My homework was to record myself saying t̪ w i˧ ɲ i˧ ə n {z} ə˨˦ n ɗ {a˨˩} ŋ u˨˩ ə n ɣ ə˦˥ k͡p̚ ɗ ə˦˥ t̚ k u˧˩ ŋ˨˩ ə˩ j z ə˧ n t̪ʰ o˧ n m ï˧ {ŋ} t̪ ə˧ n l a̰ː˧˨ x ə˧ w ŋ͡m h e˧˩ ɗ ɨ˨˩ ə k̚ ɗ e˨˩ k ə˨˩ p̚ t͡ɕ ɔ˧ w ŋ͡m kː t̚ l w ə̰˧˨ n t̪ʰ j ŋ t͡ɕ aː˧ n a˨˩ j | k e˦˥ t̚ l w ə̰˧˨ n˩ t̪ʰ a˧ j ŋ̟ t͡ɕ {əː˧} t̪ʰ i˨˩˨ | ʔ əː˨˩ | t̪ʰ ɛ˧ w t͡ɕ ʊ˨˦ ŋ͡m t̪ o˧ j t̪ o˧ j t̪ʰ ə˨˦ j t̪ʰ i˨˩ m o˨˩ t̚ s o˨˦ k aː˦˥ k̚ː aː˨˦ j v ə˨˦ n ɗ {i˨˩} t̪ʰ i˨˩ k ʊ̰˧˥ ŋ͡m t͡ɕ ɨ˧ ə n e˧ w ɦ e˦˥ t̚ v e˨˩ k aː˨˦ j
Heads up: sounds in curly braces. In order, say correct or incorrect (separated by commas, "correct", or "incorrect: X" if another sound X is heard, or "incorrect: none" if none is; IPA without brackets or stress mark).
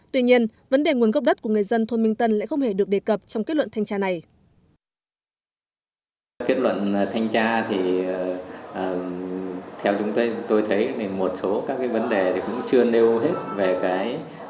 incorrect: v, incorrect: e˨˩, correct, incorrect: aː˧, incorrect: e˨˩